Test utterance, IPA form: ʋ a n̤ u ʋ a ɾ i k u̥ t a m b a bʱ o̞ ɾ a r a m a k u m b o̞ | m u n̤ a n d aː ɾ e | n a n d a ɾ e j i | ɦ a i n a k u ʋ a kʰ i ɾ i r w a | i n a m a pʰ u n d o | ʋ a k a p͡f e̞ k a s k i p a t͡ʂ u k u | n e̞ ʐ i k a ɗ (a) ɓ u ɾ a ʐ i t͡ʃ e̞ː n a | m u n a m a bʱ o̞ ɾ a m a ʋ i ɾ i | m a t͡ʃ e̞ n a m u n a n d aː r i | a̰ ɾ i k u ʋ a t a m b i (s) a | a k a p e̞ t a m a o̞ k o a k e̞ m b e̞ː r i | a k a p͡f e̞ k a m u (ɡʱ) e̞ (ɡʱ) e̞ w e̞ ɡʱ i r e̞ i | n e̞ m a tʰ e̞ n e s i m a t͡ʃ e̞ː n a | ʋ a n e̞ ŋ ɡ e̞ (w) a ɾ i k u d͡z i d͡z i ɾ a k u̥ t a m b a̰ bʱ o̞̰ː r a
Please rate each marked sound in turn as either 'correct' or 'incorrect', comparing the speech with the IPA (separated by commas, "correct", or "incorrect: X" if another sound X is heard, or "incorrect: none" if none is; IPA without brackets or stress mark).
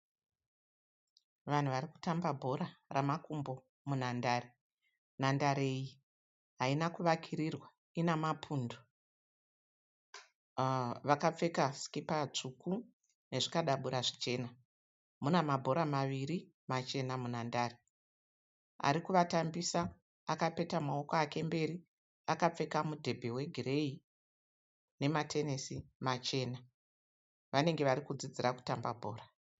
correct, correct, incorrect: dʱ, incorrect: bʱ, incorrect: ʋ